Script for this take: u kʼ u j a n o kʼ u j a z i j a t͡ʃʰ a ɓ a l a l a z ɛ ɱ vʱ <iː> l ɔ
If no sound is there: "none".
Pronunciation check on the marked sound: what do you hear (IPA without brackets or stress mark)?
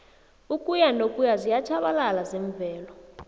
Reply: ɛː